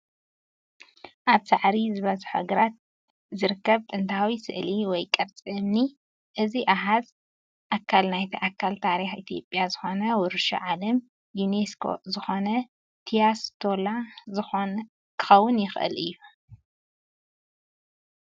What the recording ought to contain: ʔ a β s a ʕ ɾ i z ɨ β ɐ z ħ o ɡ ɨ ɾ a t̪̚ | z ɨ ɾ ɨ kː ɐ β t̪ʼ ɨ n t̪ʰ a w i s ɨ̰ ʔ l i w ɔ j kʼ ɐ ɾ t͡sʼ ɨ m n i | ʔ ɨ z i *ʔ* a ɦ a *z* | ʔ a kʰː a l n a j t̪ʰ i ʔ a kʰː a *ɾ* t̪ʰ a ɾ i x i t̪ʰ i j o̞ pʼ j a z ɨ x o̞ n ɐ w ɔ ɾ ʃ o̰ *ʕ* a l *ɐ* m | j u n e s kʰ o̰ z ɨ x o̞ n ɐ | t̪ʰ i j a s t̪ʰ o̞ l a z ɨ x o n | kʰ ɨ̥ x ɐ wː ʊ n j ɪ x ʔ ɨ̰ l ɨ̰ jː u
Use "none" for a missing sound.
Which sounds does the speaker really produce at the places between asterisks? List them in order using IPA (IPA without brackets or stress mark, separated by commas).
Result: ʔ, z, l, ʕ, ɐ